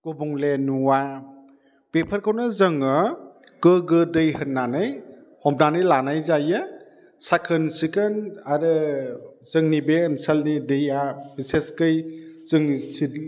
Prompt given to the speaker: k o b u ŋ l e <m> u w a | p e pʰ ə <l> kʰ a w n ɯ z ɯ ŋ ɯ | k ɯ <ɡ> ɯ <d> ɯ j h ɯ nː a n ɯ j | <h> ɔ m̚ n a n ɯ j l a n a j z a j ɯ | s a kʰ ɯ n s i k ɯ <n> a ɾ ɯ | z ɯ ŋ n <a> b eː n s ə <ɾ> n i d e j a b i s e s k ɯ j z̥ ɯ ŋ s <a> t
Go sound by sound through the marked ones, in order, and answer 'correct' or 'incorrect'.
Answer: incorrect: n, incorrect: ɾ, correct, correct, correct, correct, incorrect: i, incorrect: l, incorrect: i

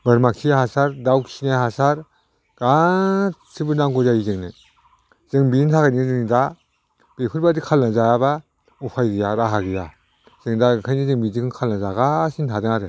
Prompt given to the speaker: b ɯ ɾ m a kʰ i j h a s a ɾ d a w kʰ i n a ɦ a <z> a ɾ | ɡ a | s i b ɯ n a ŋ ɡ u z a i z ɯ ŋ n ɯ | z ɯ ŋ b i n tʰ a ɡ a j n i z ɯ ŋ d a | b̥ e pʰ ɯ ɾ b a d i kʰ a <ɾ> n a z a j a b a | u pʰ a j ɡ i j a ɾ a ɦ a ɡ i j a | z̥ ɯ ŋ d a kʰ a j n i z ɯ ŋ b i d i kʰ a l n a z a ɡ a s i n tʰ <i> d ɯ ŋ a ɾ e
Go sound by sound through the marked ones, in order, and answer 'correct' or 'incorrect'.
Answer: incorrect: s, incorrect: l, incorrect: a

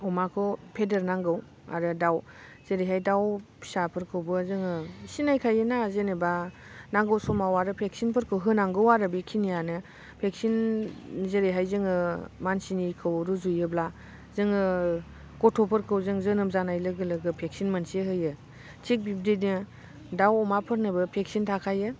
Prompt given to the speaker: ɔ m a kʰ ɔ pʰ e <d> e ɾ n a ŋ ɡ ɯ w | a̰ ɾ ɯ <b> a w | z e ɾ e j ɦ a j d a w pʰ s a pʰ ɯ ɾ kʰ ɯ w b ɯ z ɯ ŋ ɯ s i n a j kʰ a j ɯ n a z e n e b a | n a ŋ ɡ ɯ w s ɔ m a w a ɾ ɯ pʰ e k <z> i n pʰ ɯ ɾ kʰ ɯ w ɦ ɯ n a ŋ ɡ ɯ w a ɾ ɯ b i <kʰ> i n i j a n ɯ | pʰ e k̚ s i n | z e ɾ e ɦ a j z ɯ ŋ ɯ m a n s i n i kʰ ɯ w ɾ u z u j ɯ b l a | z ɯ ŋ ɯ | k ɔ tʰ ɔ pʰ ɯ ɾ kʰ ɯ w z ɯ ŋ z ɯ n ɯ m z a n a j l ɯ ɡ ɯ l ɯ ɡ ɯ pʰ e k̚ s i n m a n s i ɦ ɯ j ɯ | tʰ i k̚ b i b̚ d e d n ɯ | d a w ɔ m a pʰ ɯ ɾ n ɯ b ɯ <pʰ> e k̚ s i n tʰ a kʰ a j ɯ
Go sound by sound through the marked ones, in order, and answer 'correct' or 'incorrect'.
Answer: correct, incorrect: d, incorrect: s, correct, correct

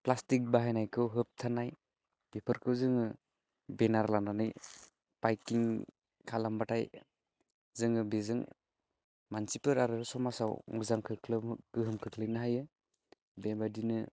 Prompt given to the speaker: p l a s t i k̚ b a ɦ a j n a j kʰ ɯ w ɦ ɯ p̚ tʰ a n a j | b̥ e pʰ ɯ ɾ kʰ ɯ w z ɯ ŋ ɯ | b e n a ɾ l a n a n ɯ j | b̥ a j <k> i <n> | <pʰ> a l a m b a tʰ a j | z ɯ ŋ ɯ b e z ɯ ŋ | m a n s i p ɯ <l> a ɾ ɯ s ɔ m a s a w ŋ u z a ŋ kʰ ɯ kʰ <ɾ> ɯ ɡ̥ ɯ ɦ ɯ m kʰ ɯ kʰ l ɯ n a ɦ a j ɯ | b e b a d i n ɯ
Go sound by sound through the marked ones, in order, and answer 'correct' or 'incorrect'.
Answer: correct, incorrect: ŋ, incorrect: kʰ, incorrect: ɾ, incorrect: l

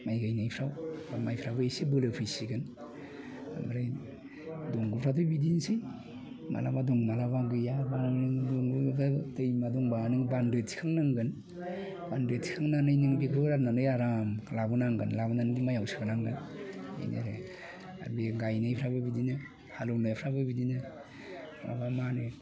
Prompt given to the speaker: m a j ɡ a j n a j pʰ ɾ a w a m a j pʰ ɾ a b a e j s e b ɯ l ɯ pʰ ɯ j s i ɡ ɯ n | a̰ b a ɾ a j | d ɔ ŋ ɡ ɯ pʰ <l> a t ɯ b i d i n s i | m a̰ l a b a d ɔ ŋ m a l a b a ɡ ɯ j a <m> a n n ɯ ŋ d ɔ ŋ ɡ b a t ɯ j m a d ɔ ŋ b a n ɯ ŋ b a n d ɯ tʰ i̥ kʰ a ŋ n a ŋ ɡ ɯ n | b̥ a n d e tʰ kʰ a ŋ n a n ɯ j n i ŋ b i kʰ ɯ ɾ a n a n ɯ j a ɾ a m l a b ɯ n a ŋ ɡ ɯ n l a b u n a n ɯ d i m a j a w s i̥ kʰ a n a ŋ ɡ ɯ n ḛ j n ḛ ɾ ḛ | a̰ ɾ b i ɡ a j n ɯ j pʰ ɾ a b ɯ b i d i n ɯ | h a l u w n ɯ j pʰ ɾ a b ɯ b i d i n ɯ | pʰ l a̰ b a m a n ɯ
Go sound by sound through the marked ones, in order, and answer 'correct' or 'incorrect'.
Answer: incorrect: ɾ, incorrect: b

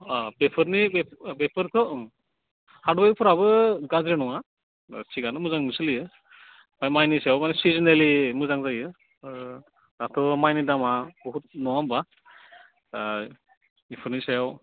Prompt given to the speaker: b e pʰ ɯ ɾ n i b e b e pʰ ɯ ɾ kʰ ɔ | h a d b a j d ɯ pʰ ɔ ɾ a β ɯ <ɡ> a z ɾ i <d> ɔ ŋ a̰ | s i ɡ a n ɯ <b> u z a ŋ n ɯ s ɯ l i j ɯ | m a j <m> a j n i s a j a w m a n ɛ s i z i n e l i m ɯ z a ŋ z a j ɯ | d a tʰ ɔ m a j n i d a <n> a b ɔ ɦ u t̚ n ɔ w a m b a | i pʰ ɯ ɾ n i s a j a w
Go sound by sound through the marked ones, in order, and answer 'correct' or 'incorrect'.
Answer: correct, incorrect: n, incorrect: m, correct, incorrect: m

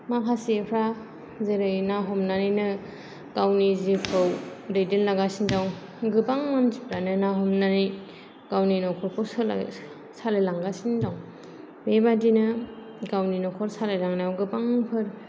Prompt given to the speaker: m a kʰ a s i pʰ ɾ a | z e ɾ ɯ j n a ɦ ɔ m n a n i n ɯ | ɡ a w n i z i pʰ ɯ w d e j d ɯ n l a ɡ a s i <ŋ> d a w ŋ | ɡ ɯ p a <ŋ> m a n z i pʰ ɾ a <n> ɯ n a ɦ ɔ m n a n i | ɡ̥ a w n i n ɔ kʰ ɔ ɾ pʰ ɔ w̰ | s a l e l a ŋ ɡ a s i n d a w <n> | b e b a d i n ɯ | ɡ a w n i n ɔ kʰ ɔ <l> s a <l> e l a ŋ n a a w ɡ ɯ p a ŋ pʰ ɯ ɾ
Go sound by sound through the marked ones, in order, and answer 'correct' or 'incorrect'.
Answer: incorrect: n, correct, correct, incorrect: ŋ, incorrect: ɾ, correct

